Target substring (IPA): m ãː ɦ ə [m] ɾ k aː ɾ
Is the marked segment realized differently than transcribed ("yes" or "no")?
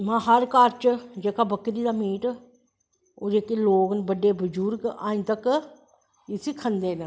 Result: yes